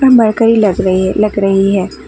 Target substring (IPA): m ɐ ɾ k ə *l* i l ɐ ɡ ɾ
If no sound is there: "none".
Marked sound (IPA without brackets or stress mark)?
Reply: ɾ